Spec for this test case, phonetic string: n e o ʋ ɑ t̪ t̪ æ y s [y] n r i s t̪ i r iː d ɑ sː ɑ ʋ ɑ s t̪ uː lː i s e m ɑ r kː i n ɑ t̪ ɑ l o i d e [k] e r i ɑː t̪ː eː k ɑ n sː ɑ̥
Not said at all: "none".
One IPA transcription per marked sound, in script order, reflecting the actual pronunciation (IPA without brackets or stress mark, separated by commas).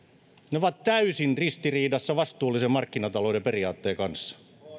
i, p